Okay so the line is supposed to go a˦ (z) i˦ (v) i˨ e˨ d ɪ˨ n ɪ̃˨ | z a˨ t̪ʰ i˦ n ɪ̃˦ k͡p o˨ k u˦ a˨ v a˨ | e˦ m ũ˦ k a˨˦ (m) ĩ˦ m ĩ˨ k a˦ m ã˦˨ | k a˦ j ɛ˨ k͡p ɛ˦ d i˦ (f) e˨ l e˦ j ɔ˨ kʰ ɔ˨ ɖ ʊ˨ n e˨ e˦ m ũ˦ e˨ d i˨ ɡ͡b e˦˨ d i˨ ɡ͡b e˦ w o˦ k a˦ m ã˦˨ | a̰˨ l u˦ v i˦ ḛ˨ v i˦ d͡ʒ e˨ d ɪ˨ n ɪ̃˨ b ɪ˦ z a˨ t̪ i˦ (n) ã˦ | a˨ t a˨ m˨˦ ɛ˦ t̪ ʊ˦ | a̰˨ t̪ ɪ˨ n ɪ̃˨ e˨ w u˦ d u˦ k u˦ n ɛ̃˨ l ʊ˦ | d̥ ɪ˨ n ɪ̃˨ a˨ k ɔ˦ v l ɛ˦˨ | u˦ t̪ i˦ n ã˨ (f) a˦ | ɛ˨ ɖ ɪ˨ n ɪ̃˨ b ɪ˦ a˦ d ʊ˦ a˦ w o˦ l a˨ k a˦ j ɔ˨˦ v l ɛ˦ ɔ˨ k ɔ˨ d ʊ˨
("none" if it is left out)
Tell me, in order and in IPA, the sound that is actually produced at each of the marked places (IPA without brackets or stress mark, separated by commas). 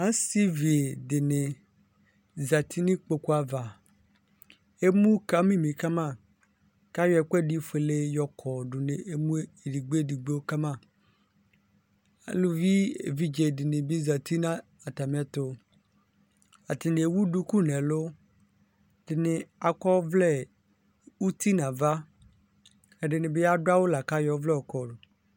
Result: s, v, m, f, n, v